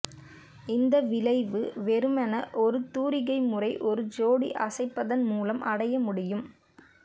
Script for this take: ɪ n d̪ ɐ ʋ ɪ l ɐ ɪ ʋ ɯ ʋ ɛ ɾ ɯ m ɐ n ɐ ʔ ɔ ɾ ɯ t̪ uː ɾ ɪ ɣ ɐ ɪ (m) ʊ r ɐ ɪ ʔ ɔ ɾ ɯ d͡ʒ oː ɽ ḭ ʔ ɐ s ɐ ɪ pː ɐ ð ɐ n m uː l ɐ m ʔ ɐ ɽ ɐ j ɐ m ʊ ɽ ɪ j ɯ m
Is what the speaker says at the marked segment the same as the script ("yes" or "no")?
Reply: yes